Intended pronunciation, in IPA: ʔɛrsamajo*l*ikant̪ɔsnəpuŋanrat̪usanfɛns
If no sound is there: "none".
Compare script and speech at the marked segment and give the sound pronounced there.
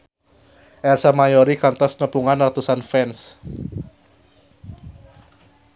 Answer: ɾ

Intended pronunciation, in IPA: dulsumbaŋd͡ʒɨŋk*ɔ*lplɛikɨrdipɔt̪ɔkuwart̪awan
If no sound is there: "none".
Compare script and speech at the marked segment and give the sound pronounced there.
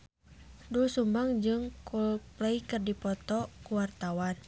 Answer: u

